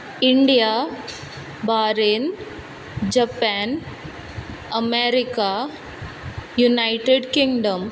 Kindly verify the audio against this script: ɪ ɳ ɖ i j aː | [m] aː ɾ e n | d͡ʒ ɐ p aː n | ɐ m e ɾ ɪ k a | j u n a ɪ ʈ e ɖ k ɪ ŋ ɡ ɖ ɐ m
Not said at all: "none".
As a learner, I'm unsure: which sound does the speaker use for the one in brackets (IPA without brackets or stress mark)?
b